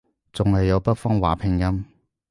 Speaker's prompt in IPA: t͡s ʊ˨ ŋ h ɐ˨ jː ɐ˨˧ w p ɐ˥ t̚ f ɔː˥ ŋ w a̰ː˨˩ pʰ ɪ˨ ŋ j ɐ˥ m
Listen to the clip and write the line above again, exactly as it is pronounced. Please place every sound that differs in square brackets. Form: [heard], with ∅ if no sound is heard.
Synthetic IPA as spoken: t͡s ʊ˨ ŋ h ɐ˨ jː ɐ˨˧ w p ɐ˥ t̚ f ɔː˥ ŋ w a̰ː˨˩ pʰ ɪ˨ ŋ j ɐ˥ m